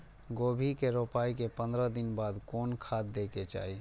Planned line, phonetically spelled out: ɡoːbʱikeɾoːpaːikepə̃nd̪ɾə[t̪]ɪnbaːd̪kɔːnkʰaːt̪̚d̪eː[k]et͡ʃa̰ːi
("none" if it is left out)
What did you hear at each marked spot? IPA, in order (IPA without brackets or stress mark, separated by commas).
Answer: d̪, k